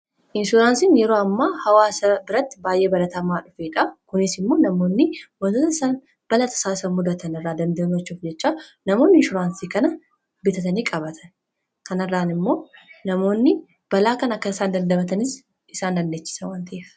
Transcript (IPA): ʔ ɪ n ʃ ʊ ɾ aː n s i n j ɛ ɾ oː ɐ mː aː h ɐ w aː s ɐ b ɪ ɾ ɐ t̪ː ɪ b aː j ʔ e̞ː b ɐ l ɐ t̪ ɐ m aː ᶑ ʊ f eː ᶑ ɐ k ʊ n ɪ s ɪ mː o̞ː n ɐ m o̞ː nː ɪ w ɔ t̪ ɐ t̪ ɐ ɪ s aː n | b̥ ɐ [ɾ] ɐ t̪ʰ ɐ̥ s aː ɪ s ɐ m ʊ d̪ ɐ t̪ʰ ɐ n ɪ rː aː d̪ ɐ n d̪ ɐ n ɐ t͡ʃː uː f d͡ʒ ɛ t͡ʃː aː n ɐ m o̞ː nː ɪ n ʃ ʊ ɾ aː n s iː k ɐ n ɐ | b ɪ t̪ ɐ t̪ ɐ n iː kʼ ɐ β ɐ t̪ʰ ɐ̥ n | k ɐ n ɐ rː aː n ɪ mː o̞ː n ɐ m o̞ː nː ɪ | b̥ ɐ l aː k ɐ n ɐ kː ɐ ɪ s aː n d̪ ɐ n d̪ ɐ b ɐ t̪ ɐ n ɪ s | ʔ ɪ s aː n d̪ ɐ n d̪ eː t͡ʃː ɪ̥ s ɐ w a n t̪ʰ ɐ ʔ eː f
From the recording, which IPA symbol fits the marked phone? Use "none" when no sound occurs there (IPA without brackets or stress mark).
l